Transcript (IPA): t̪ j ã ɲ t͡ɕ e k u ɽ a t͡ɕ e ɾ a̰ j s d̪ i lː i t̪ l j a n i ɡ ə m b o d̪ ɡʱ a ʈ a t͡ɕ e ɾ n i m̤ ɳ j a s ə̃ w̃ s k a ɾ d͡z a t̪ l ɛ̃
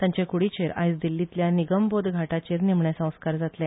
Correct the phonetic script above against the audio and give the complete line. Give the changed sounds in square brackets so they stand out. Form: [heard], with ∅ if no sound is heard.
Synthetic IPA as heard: t̪ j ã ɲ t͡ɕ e k u ɽ [i] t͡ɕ e ɾ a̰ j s d̪ i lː i t̪ l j a n i ɡ ə m b o d̪ ɡʱ a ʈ a t͡ɕ e ɾ n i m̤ ɳ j a s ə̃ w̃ s k a ɾ d͡z a t̪ l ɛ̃